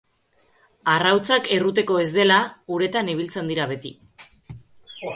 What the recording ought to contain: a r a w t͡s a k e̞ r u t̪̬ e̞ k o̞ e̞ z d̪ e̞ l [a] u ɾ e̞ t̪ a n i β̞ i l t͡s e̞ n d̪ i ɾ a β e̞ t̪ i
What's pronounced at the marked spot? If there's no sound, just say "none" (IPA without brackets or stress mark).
a